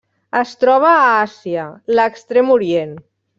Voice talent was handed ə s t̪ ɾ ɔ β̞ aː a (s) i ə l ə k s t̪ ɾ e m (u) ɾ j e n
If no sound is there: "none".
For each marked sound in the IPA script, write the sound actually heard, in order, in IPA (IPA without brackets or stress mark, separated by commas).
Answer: s, u